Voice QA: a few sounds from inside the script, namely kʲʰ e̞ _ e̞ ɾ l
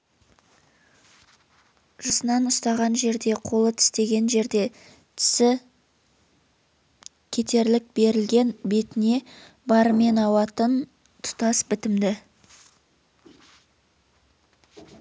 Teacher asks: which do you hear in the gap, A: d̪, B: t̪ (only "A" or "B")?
B